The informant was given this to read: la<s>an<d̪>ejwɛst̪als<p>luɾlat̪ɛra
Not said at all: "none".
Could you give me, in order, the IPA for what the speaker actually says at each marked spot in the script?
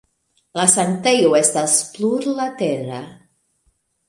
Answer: s, t̪, p

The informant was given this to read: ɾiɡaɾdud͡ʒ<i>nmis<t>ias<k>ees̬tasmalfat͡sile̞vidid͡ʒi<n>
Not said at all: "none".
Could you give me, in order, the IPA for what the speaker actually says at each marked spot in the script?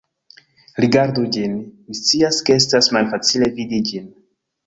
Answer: i, t͡s, k, n

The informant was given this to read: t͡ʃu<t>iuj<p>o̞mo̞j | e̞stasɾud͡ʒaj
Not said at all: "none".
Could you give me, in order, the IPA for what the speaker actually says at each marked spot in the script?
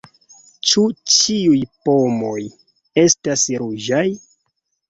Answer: t͡ʃ, p

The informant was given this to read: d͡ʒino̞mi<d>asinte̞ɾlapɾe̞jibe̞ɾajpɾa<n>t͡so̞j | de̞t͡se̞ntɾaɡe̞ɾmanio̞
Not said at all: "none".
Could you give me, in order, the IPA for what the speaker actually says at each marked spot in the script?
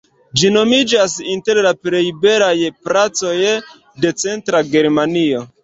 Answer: d͡ʒ, none

